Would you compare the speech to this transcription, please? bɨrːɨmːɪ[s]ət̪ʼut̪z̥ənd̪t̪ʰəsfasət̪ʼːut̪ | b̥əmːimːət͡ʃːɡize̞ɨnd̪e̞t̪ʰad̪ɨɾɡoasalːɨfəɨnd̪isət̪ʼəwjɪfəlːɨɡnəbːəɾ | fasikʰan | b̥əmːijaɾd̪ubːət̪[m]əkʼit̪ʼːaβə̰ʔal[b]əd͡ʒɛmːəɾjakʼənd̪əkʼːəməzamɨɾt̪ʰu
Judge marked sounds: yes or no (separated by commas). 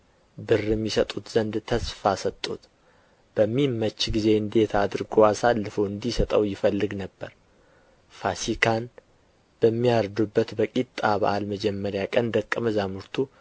yes, no, no